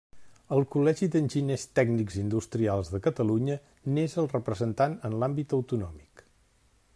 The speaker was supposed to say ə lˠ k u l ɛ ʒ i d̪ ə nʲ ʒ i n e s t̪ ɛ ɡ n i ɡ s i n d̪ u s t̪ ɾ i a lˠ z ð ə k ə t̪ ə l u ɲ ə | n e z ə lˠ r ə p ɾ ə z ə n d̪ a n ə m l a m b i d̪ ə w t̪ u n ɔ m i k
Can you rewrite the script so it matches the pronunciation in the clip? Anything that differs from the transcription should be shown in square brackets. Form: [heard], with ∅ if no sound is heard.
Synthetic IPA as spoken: ə lˠ k u l ɛ ʒ i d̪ ə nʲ ʒ i n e s t̪ ɛ ɡ n i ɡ [z] i n d̪ u s t̪ ɾ i a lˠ z ð ə k ə t̪ ə l u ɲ ə | n e z ə lˠ r ə p ɾ ə z ə n [t̪] a n ə [n] l a m b i [t̪] ə w t̪ u n ɔ m i k